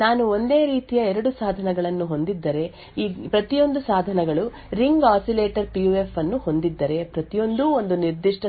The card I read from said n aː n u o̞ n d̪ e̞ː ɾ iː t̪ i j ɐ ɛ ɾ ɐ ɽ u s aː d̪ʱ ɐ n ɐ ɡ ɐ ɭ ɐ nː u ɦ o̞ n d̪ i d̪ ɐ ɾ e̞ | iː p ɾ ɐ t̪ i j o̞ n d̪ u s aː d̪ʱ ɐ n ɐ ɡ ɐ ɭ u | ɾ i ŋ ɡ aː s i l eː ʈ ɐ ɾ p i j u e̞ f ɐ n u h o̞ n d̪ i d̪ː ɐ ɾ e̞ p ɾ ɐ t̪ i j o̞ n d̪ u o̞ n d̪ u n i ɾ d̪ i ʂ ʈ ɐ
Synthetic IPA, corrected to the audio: n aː n u o̞ n d̪ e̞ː ɾ iː t̪ i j ɐ ɛ ɾ ɐ ɽ u s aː d̪ʱ ɐ n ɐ ɡ ɐ ɭ ɐ nː u ɦ o̞ n d̪ i d̪ː ɐ ɾ e̞ | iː p ɾ ɐ t̪ i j o̞ n d̪ u s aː d̪ʱ ɐ n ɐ ɡ ɐ ɭ u | ɾ i ŋ ɡ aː s i l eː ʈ ɐ ɾ p i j u e̞ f ɐ nː u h o̞ n d̪ i d̪ː ɐ ɾ e̞ p ɾ ɐ t̪ i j o̞ n d̪ u o̞ n d̪ u n i ɾ d̪ i ʂ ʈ ɐ